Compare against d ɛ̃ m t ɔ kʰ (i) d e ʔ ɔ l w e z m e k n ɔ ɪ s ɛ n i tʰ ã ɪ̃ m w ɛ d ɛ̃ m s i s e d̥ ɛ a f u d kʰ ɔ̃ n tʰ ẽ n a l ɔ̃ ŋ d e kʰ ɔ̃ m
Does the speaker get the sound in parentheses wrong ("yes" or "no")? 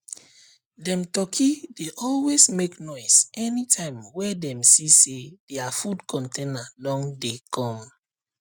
no